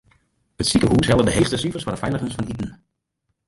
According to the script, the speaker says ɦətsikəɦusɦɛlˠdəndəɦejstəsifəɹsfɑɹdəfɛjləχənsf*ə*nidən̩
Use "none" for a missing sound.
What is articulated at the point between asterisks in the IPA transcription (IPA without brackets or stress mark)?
ɑ